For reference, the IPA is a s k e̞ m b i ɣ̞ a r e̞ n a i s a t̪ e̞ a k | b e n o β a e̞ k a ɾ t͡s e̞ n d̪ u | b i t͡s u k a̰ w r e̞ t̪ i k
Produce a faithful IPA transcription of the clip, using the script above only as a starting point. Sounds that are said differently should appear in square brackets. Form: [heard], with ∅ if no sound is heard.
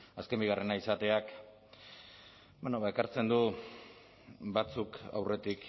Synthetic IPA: a s k e̞ m b i ɣ̞ a r e̞ n a i s a t̪ e̞ a k | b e n o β a e̞ k a ɾ t͡s e̞ n d̪ u | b [a] t͡s u k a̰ w r e̞ t̪ i k